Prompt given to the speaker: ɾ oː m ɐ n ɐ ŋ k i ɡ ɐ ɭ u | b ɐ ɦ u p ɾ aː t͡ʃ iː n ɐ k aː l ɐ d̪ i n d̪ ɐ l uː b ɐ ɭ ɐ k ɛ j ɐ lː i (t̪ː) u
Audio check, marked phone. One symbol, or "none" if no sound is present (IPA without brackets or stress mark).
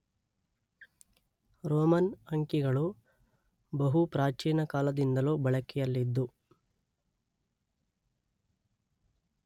d̪ː